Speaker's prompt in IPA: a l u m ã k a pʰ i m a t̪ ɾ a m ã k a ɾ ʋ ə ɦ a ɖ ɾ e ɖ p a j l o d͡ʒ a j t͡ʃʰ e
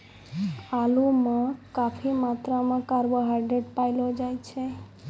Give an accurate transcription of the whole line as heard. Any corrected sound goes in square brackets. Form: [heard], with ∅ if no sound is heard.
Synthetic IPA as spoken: a l u m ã k a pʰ i m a t̪ ɾ a m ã k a ɾ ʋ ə ɦ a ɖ ɾ e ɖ p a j l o d͡ʒ a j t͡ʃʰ e

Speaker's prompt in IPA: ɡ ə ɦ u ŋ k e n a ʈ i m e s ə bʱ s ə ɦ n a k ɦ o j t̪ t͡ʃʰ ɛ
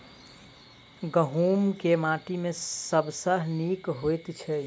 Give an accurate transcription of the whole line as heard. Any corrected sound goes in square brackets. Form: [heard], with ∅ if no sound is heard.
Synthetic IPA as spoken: ɡ ə ɦ u [m] k e [m] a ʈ i m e s ə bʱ s ə ɦ n [i] k ɦ o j t̪ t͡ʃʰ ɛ

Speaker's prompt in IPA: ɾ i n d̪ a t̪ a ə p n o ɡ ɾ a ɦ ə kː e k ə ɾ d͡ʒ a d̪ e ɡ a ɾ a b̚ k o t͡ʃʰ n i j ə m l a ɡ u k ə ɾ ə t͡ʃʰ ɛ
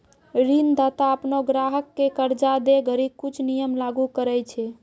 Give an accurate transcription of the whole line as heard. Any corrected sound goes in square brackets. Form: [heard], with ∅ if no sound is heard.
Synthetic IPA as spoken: ɾ i n d̪ a t̪ a ə p n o ɡ ɾ a ɦ ə kː e k ə ɾ d͡ʒ a d̪ e ɡ [ə] ɾ [i] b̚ k [u] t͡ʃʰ n i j ə m l a ɡ u k ə ɾ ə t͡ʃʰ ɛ

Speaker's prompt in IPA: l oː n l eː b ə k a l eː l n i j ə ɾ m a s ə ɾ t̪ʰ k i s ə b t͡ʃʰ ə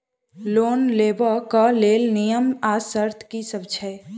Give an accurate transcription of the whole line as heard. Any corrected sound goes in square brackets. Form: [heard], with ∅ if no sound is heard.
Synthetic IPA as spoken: l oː n l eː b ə k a l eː l n i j ə [∅] m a s ə ɾ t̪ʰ k i s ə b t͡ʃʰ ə

